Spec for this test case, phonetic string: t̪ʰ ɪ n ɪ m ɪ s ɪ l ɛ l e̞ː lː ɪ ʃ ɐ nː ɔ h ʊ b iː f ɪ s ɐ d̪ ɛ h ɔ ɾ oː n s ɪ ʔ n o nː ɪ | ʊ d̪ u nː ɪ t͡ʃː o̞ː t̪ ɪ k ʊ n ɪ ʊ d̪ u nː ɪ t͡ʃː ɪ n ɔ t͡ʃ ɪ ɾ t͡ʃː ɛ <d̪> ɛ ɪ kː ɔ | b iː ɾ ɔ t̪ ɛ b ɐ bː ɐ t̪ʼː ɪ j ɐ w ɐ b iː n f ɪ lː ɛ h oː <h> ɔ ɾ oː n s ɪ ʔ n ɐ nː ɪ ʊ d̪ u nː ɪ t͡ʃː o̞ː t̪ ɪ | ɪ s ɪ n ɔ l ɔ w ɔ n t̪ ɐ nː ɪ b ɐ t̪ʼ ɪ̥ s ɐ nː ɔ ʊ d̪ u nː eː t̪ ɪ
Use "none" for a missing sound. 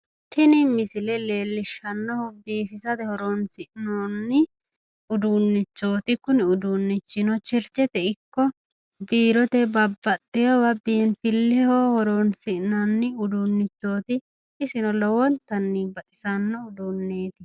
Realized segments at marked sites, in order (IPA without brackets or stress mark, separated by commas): t̪, h